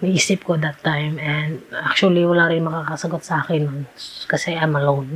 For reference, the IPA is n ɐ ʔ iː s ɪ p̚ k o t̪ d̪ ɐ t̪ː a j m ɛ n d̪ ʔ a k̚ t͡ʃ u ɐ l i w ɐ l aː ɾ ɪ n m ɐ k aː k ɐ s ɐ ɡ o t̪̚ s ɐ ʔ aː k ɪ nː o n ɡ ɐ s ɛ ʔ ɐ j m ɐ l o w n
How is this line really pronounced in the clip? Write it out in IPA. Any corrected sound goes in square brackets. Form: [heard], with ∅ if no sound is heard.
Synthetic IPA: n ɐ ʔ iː s ɪ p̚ k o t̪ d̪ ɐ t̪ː a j m ɛ n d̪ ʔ a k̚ t͡ʃ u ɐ l i w ɐ l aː ɾ ɪ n m ɐ k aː k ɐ s ɐ ɡ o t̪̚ s ɐ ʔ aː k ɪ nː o n [k] ɐ s ɛ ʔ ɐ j m ɐ l o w n